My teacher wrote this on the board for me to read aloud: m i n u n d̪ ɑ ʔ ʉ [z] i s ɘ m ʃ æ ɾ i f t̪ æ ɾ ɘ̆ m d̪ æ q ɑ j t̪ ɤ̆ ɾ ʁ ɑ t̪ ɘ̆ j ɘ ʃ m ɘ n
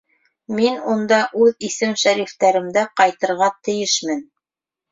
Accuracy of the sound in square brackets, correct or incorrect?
incorrect